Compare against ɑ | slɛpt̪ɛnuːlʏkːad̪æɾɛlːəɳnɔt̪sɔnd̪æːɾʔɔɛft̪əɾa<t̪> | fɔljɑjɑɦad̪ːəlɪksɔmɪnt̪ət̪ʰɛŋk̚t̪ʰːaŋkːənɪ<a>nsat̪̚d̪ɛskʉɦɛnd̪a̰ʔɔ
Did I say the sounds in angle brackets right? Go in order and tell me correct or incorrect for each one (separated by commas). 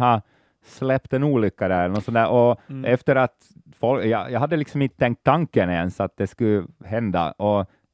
correct, incorrect